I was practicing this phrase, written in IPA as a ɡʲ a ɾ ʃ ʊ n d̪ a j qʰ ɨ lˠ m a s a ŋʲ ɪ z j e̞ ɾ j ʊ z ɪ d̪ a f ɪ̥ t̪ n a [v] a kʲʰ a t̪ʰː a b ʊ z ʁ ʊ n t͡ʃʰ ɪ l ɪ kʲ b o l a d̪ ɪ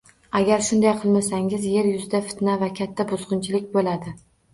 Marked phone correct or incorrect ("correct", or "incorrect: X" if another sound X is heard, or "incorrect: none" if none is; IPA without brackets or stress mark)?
correct